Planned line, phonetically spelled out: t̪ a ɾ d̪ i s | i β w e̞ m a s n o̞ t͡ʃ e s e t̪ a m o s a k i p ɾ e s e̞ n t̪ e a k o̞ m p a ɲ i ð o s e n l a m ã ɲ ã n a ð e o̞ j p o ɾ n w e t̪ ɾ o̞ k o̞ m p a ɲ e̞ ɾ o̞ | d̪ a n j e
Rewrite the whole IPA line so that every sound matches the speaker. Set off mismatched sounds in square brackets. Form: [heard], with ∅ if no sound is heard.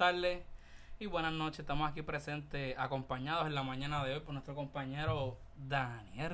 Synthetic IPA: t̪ a ɾ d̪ [e] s | i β w e̞ [n] a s n o̞ t͡ʃ e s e t̪ a m o s a k i p ɾ e s e̞ n t̪ e a k o̞ m p a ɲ [a] ð o s e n l a m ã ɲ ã n a ð e o̞ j p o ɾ n w e t̪ ɾ o̞ k o̞ m p a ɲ e̞ ɾ o̞ | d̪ a n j e